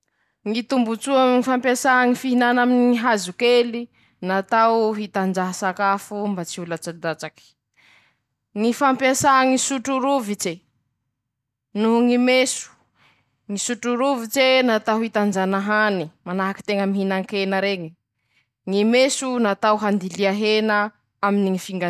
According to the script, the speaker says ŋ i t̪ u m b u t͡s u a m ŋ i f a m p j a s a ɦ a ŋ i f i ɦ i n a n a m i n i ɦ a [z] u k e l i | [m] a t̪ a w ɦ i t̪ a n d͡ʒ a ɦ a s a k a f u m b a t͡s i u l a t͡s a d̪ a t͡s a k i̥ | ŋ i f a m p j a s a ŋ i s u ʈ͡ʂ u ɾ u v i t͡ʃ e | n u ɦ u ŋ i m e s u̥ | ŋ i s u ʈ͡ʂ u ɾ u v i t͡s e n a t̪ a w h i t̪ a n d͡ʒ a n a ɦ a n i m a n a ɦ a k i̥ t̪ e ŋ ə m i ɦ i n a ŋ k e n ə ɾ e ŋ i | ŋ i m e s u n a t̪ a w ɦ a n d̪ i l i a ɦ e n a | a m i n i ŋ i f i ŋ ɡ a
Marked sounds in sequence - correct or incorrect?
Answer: correct, incorrect: n

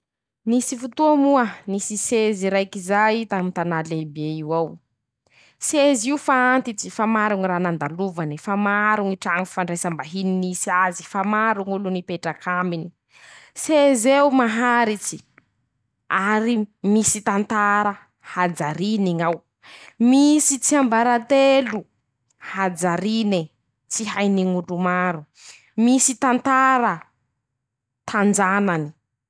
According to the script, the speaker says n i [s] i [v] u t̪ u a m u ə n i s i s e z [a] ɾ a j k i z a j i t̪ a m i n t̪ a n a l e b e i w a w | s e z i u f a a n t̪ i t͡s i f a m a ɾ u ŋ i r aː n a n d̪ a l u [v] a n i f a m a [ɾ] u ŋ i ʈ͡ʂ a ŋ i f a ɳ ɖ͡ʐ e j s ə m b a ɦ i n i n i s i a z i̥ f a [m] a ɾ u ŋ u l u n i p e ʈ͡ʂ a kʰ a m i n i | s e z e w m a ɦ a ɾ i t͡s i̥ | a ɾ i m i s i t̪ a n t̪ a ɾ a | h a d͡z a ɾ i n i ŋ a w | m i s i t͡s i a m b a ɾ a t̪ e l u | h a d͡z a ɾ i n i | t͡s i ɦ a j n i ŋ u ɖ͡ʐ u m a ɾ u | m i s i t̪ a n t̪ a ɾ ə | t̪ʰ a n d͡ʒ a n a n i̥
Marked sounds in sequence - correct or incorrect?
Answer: correct, incorrect: f, incorrect: i, correct, correct, correct

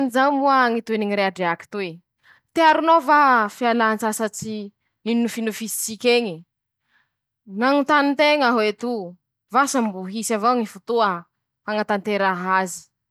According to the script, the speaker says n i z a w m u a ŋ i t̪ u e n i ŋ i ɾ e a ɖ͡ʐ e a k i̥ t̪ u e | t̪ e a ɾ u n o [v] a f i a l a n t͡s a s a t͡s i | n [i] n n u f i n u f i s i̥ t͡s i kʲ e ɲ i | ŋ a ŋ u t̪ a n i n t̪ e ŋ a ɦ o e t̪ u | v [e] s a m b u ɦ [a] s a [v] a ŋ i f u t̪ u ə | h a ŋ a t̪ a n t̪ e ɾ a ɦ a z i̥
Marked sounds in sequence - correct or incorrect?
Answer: correct, correct, incorrect: a, incorrect: i, correct

